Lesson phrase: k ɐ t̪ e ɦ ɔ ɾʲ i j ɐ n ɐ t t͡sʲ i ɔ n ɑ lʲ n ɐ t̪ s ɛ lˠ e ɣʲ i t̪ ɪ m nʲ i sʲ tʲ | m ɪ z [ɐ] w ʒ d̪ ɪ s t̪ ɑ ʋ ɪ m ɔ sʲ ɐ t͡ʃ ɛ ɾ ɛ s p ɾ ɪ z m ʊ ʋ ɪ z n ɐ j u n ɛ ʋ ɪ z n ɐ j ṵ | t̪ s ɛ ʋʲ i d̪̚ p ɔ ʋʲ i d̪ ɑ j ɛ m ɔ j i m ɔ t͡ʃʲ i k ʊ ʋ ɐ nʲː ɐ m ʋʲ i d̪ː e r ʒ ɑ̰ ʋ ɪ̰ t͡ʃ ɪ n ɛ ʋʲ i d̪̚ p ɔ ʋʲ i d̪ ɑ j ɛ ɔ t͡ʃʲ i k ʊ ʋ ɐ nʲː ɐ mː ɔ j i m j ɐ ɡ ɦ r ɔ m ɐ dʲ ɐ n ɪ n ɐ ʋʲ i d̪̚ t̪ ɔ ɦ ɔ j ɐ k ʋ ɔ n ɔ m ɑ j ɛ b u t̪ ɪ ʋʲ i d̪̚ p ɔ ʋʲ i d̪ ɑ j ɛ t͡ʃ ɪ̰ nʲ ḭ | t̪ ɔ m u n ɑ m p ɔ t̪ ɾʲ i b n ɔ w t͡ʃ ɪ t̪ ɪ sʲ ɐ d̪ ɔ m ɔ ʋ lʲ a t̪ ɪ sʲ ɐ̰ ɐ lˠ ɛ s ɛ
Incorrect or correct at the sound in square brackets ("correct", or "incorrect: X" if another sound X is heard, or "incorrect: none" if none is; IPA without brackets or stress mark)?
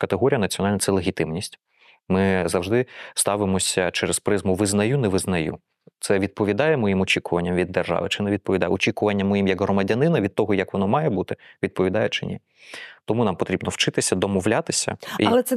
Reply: correct